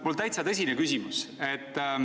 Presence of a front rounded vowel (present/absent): present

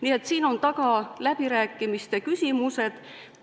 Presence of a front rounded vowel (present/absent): present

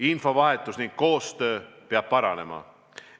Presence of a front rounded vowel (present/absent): present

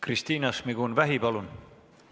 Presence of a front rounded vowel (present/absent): absent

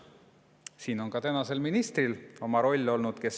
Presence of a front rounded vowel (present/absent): absent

